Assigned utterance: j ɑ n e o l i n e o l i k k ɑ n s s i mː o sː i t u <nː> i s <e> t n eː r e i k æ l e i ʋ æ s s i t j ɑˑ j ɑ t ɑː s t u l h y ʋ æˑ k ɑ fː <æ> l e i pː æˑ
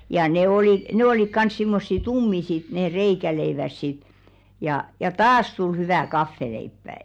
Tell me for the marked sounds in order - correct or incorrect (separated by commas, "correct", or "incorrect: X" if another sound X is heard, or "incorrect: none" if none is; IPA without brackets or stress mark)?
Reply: incorrect: mː, incorrect: i, incorrect: e